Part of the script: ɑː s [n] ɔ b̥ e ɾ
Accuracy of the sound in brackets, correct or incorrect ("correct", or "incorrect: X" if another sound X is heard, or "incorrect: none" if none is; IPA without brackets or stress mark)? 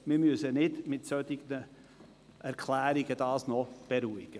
correct